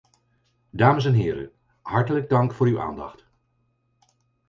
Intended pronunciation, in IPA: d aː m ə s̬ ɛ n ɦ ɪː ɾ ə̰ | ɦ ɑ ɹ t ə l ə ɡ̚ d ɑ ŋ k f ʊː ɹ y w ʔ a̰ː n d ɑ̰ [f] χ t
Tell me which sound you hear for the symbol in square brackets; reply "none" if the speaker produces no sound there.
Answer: none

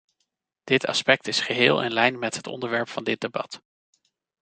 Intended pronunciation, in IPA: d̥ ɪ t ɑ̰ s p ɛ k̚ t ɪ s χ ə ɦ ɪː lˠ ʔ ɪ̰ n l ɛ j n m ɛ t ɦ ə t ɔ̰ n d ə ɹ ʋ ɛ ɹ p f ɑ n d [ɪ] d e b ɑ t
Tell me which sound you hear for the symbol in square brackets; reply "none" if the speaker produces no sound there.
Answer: ɪ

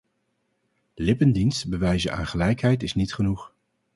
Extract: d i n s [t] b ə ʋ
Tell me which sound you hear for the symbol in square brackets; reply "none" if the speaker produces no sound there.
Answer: t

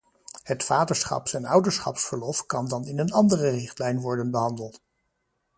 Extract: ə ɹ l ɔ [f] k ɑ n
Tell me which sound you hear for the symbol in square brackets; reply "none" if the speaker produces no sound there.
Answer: f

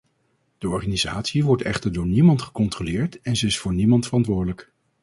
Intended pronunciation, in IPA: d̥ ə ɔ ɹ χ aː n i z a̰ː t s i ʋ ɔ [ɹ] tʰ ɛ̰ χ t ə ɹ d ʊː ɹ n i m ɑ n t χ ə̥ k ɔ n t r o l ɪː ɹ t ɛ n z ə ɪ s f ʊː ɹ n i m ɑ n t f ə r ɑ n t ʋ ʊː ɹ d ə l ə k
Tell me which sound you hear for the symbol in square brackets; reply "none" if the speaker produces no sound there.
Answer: ɹ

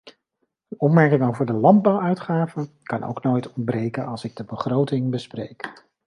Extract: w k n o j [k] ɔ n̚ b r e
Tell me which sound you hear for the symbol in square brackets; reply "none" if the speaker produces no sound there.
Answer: t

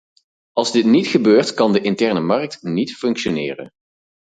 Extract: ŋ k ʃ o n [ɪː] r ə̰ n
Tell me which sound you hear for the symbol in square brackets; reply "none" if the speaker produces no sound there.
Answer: ɪː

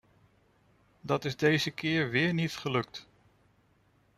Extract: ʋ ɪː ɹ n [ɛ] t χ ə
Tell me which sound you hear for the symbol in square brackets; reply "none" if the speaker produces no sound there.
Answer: i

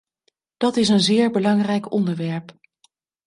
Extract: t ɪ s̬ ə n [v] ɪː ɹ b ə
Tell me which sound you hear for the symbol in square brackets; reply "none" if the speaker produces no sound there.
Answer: z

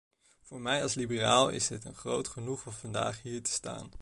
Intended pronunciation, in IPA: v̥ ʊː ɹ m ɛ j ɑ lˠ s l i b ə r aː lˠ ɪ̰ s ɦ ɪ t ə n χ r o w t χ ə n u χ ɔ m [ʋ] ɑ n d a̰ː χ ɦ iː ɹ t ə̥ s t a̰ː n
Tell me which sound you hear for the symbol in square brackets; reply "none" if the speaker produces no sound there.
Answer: v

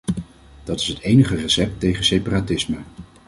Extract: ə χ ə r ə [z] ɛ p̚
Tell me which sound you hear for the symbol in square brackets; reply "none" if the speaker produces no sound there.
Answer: s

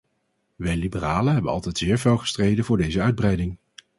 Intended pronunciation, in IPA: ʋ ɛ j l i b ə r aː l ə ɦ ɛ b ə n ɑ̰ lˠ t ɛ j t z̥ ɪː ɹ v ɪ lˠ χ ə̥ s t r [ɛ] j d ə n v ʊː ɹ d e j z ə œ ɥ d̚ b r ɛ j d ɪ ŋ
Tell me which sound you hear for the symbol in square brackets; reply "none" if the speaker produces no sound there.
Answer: e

